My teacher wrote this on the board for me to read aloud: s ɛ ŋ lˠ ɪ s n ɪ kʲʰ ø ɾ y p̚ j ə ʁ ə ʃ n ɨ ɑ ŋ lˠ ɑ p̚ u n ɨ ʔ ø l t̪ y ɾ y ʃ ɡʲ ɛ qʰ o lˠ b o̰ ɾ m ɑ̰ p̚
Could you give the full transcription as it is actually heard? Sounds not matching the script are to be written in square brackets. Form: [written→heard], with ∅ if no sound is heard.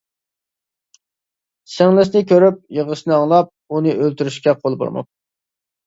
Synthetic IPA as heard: s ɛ ŋ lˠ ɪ s n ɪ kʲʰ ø ɾ y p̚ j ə ʁ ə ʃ n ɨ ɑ ŋ lˠ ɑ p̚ u n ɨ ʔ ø l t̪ y ɾ y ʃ [ɡʲ→kʲ] ɛ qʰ o lˠ b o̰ ɾ m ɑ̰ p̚